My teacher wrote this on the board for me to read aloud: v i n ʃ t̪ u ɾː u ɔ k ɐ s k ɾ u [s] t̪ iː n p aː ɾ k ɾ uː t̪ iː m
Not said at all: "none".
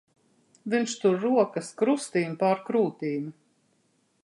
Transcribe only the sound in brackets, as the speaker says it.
s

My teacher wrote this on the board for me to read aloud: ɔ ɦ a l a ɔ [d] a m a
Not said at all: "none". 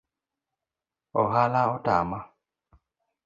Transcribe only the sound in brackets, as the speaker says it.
t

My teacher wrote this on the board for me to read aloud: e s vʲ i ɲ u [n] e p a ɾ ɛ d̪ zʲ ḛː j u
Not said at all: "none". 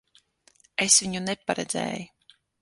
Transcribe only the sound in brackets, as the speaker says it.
n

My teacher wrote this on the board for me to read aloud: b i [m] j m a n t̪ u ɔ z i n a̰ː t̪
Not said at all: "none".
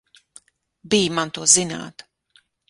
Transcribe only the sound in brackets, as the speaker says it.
none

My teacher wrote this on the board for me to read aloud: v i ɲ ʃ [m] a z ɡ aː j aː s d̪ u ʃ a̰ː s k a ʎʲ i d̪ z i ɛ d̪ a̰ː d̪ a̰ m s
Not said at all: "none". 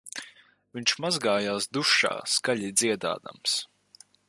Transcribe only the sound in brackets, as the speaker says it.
m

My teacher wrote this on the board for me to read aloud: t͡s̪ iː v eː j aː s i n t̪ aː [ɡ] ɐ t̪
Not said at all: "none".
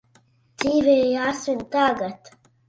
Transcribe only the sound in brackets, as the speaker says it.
ɡ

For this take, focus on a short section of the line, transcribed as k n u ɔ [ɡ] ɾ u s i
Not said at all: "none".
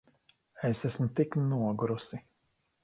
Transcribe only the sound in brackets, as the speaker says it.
ɡ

